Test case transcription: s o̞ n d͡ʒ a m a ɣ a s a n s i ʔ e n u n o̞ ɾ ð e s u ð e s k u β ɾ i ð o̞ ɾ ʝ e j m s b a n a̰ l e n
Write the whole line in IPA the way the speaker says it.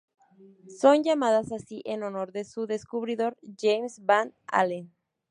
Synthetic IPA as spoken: s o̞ n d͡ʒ a m a ð a s a s i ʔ e n o n o̞ ɾ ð e s u ð e s k u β ɾ i ð o̞ ɾ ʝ e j m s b a n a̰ l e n